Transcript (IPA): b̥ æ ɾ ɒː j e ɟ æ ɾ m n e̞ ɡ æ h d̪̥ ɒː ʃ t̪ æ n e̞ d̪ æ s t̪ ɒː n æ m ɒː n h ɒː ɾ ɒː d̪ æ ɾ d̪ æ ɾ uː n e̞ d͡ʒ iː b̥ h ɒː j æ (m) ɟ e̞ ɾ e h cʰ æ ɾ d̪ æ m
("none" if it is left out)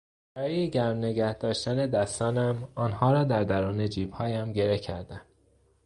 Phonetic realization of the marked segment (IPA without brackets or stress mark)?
m